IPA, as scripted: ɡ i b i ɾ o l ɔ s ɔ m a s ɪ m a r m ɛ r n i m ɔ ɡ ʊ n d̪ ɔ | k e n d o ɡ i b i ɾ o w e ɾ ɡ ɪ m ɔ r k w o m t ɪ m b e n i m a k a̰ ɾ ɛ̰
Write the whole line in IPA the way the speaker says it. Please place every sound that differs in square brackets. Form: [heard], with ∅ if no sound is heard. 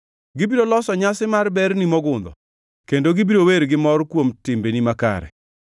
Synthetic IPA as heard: ɡ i b i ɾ o l ɔ s ɔ [ɲ] a s ɪ m a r [b] ɛ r n i m ɔ ɡ ʊ n d̪ ɔ | k e n d o ɡ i b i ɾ o w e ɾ ɡ ɪ m ɔ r k w o m t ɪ m b e n i m a k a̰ ɾ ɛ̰